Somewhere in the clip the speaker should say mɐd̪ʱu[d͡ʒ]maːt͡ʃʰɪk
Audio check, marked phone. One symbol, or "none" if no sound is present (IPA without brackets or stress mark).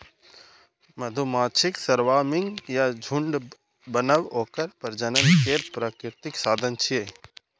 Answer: none